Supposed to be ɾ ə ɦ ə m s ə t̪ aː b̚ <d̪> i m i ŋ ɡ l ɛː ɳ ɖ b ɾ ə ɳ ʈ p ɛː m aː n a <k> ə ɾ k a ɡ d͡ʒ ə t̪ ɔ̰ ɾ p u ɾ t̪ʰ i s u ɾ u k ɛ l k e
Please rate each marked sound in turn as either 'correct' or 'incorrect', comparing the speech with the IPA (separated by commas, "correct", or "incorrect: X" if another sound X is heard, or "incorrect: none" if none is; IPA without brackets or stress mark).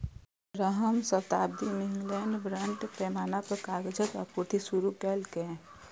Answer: correct, incorrect: p